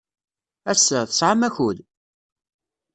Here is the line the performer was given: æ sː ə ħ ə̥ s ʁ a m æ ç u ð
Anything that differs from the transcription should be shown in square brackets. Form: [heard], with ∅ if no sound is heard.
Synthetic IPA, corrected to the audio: æ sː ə [θ] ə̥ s [ʕ] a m æ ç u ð